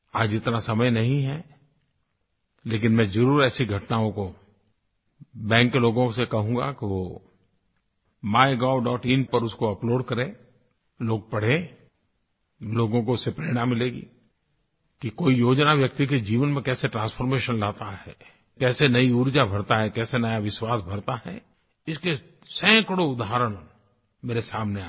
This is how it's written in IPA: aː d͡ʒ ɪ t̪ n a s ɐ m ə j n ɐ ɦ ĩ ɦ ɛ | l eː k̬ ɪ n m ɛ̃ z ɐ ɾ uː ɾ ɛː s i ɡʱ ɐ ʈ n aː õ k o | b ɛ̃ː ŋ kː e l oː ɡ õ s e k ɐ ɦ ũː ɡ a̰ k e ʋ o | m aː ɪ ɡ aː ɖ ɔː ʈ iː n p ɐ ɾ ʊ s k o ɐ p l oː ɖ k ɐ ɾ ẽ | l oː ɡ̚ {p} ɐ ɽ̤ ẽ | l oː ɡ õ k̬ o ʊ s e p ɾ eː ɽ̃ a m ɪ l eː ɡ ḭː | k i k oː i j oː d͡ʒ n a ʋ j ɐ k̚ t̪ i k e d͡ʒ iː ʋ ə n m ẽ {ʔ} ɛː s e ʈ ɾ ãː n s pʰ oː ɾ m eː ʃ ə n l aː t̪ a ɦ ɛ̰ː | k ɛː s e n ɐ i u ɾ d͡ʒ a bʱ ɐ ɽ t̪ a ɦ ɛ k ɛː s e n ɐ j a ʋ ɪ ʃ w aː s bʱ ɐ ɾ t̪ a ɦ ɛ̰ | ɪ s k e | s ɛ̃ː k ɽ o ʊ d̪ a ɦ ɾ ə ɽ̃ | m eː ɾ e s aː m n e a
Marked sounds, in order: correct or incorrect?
correct, incorrect: k

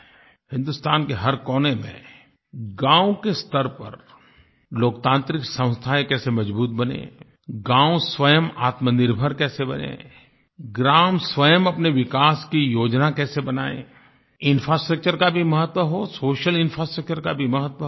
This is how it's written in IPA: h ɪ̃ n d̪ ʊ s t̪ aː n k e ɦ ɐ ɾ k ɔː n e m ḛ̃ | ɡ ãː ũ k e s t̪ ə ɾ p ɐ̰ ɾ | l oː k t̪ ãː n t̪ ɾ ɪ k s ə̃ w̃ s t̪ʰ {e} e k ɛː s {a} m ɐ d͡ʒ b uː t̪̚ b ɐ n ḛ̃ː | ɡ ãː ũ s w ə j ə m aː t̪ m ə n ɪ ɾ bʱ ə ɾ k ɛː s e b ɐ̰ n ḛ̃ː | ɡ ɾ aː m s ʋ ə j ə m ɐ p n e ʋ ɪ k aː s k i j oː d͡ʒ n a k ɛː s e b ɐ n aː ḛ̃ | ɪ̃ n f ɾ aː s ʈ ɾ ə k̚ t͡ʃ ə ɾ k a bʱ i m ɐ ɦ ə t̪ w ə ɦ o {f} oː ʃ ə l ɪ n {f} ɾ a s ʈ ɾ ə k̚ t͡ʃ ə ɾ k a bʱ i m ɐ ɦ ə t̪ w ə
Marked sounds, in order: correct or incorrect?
incorrect: a, incorrect: e, incorrect: s, correct

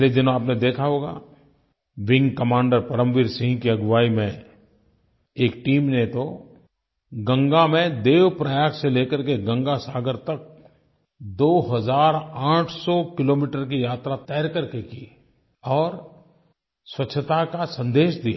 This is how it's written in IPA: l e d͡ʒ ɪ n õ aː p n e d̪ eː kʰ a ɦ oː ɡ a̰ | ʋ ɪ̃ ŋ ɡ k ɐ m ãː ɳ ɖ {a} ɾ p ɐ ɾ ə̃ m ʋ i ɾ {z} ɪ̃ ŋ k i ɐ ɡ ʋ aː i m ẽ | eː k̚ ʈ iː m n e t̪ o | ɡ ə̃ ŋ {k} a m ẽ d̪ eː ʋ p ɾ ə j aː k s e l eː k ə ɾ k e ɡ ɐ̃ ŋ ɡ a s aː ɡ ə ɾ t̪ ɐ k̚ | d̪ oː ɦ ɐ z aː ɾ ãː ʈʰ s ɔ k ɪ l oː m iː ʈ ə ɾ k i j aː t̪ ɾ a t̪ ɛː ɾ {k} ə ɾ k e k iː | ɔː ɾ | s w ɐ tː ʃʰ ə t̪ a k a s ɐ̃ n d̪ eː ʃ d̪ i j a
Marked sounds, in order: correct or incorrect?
incorrect: ə, incorrect: s, incorrect: ɡ, correct

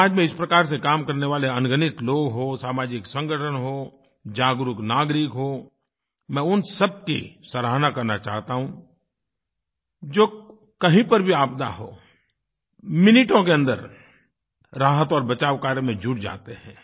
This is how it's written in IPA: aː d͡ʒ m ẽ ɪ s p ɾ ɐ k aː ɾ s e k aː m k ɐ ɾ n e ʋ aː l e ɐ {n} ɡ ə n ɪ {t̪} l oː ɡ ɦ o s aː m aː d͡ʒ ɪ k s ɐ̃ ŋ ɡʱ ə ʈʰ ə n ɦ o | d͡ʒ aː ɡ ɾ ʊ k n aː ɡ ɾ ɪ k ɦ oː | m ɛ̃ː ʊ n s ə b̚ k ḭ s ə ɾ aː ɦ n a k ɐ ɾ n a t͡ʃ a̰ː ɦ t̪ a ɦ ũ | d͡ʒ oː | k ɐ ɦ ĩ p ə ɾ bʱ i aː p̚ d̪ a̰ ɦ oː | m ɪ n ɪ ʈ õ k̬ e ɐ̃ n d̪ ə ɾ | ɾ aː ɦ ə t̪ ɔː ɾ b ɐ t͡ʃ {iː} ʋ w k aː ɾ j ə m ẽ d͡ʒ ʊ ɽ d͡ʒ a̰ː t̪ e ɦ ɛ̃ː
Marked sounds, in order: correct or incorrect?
correct, correct, incorrect: aː

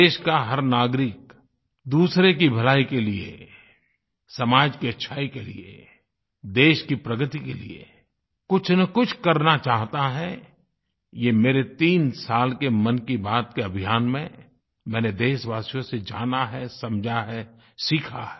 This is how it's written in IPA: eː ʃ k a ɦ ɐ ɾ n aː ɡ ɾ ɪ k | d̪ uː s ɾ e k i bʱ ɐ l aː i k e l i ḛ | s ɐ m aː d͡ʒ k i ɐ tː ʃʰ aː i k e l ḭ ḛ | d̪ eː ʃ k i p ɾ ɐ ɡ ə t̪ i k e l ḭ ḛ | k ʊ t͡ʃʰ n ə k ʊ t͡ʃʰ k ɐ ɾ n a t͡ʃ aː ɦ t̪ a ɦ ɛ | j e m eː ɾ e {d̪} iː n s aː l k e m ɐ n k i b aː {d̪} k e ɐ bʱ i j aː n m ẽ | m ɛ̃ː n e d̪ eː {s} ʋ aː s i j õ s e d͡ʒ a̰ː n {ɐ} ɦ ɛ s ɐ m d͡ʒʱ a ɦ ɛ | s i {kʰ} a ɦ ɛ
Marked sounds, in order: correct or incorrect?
incorrect: t̪, incorrect: t̪, incorrect: ʃ, incorrect: a, correct

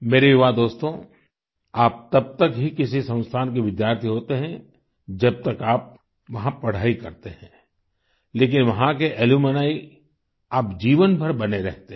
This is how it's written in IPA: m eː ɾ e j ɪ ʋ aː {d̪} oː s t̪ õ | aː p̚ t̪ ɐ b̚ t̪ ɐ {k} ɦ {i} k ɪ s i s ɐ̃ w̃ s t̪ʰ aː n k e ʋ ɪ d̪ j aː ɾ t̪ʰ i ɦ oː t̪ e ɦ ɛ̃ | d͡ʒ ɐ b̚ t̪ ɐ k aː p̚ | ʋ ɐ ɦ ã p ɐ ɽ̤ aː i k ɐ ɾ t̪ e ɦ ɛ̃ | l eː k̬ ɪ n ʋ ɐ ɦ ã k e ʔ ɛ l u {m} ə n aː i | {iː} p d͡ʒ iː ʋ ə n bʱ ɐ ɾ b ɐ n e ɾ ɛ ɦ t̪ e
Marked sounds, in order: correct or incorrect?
correct, correct, correct, correct, incorrect: aː

